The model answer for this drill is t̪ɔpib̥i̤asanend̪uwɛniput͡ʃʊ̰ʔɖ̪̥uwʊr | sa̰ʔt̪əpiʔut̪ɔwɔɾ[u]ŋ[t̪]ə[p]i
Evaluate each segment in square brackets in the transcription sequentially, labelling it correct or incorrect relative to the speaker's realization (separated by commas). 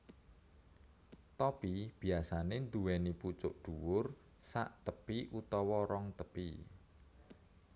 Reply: incorrect, correct, correct